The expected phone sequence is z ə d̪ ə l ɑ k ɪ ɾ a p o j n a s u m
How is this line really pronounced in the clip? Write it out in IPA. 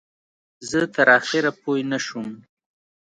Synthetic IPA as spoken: z ə t̪ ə ɾ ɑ x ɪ ɾ a p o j n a ʃ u m